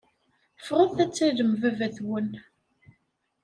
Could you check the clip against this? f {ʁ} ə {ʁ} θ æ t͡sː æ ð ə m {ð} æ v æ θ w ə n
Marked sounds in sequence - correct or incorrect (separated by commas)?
correct, incorrect, incorrect